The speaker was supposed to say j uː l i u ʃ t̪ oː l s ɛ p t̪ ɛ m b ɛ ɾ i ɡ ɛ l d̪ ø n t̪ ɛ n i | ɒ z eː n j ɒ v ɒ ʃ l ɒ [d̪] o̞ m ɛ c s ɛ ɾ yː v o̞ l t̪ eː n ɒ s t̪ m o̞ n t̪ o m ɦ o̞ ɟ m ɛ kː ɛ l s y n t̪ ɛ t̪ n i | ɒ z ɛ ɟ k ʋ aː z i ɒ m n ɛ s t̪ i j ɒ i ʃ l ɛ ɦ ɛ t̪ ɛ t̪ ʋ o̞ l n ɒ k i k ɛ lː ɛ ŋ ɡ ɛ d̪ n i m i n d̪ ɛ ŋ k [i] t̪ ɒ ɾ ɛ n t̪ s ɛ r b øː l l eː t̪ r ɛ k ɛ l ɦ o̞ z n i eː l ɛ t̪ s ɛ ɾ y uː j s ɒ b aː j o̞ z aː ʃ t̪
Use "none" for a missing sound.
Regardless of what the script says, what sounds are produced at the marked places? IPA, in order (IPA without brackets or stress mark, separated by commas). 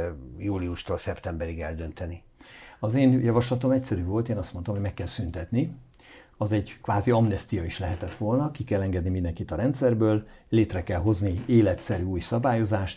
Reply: t̪, i